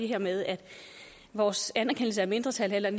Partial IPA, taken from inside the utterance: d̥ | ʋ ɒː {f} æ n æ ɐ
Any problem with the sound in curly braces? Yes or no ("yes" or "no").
yes